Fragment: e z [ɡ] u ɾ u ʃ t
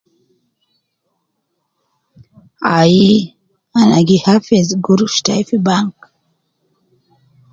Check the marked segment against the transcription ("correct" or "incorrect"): correct